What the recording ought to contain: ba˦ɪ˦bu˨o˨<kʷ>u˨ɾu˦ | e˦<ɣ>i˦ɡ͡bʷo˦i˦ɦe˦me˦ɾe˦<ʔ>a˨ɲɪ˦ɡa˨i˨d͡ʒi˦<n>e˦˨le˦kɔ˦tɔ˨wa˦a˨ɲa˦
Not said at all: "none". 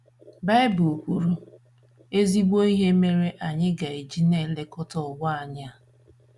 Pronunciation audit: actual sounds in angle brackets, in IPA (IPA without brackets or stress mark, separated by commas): kʷ, z, ʔ, n